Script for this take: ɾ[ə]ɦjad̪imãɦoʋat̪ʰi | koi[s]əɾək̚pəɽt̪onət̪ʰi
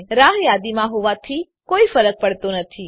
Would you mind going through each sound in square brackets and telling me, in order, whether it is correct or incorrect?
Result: incorrect: a, incorrect: f

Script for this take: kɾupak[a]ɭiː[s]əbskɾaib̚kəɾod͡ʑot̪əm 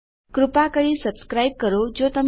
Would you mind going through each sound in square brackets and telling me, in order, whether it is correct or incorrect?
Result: incorrect: ə, correct

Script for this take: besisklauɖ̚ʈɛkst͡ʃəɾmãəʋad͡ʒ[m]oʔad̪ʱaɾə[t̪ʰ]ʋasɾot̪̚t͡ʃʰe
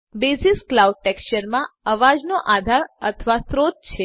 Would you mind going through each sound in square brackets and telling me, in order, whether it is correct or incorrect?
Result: incorrect: n, correct

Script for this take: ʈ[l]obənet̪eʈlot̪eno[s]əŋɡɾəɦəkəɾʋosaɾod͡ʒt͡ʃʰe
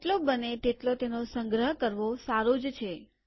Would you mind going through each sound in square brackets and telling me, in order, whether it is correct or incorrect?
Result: correct, correct

